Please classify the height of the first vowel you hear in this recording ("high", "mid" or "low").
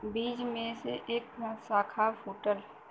high